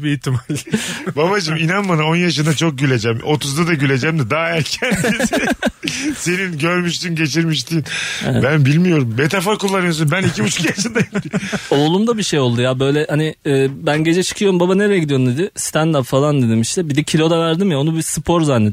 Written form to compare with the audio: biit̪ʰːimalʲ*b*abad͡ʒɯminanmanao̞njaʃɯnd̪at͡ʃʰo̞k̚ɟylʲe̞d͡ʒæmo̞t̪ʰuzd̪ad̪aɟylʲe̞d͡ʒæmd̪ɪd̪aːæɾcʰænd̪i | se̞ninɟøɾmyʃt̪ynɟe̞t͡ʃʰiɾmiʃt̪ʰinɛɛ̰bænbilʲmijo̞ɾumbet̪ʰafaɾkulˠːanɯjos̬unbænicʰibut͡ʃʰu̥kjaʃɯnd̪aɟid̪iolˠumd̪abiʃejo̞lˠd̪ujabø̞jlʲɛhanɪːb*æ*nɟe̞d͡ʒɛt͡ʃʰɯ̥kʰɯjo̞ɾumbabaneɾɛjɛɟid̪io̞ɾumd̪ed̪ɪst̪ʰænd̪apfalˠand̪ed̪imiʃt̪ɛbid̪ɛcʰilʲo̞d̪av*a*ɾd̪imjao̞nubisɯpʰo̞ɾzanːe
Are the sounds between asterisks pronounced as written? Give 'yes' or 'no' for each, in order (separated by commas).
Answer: yes, yes, no